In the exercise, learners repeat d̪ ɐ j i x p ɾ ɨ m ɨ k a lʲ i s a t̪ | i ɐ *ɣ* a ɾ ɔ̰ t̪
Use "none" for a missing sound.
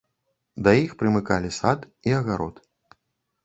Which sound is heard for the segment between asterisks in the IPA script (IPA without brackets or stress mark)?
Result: ɣ